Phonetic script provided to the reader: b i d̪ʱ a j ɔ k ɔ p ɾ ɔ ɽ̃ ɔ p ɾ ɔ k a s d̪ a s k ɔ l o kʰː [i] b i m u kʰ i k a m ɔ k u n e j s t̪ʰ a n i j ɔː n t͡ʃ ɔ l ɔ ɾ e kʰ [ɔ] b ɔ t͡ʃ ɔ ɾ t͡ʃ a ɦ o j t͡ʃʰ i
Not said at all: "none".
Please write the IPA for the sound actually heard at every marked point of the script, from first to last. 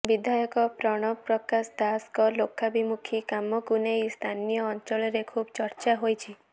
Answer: a, u

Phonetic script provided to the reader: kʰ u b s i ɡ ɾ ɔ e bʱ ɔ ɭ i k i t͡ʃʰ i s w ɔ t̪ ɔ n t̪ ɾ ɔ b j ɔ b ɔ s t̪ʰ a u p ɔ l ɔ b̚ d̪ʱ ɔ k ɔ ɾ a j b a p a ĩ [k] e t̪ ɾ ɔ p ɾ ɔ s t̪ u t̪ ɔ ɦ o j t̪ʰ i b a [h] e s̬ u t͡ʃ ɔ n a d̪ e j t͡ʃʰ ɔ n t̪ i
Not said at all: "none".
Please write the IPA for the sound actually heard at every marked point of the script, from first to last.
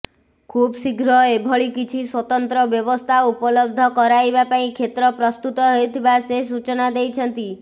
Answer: kʰ, s

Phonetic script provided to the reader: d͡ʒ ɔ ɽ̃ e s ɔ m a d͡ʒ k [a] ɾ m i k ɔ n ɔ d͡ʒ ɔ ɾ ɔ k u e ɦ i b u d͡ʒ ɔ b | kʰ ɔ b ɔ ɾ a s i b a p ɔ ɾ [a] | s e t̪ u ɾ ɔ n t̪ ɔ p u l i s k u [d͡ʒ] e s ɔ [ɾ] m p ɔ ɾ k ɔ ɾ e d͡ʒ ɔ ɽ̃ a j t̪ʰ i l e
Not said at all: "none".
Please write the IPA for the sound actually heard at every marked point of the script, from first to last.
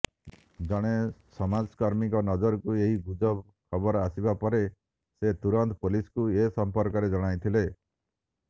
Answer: a, e, none, none

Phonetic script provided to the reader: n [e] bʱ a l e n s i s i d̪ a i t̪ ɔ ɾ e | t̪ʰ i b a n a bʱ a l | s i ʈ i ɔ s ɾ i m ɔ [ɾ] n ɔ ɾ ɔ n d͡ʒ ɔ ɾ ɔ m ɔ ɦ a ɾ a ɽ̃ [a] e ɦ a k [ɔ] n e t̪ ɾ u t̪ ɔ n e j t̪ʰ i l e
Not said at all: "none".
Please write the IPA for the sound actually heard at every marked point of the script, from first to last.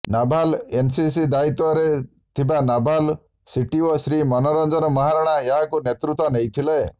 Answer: a, none, a, u

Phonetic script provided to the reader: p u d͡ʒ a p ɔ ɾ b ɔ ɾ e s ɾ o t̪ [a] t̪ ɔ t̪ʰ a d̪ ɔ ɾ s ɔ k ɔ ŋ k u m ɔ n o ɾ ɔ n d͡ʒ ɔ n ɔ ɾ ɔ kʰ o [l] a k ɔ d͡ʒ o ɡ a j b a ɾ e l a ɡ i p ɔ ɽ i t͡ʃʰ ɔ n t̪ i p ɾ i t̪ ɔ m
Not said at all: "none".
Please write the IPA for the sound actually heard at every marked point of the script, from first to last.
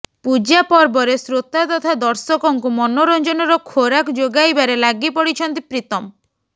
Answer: a, ɾ

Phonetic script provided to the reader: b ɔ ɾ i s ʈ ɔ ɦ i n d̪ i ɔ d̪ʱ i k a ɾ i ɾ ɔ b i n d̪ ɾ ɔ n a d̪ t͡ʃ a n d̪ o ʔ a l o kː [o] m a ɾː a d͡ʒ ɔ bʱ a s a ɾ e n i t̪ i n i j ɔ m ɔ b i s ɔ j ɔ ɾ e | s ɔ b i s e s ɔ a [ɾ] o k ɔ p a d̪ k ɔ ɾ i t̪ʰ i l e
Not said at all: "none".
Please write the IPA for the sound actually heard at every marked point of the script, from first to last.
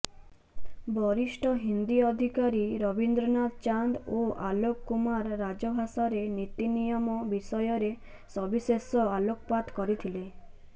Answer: u, l

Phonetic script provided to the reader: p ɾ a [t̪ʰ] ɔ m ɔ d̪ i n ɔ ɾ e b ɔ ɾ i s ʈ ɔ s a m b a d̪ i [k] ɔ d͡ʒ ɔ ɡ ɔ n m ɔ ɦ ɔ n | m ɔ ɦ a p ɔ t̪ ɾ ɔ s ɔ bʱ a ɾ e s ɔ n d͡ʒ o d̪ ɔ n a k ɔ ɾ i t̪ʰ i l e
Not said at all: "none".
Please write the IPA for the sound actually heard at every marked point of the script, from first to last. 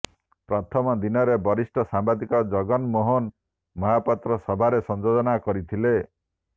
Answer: t̪ʰ, k

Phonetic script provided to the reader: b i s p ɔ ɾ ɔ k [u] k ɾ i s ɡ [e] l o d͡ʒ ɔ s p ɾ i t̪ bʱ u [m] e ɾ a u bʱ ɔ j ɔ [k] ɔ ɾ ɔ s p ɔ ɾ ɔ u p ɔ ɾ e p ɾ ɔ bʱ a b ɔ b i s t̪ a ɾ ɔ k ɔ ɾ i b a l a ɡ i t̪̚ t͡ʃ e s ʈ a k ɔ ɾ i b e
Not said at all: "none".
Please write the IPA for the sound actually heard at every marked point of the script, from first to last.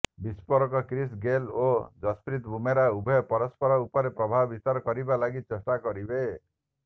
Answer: ɔ, e, m, p

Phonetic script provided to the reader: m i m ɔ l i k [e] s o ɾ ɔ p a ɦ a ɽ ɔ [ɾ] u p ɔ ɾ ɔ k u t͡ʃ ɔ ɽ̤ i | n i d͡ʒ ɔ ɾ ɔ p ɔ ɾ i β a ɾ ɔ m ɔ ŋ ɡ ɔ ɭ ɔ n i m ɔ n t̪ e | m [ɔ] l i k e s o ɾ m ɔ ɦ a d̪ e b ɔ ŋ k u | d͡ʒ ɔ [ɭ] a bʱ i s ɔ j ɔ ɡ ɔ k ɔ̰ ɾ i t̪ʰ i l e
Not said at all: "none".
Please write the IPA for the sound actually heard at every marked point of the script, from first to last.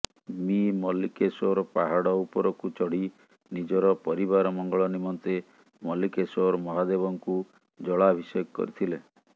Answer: e, none, ɔ, ɭ

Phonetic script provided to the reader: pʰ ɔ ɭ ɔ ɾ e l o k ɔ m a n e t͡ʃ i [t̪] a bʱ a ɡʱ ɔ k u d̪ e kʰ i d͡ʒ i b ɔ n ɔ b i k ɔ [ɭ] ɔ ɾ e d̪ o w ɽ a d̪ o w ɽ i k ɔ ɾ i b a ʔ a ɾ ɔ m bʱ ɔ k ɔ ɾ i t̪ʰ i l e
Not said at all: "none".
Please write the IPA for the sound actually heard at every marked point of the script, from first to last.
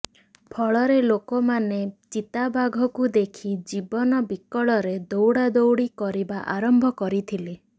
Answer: t̪, ɭ

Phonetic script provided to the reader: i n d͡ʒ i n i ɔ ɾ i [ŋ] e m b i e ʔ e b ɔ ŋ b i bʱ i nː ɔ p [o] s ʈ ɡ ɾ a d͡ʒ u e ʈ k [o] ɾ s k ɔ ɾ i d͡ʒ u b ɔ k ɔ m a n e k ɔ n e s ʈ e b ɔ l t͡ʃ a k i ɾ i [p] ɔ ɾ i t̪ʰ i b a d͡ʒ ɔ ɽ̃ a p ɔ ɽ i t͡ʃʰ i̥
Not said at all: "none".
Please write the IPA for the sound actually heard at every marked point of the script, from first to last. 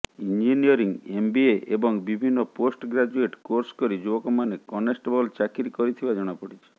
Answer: ŋ, o, o, k

